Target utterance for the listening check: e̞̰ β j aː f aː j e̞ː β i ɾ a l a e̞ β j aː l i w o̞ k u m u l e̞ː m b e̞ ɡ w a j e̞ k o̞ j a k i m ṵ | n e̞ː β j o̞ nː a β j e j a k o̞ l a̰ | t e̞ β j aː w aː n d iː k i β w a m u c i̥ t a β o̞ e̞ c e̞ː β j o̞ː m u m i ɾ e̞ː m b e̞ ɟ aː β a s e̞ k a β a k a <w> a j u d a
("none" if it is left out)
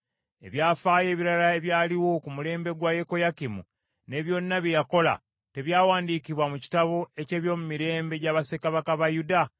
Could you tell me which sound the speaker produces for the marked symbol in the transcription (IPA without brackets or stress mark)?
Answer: β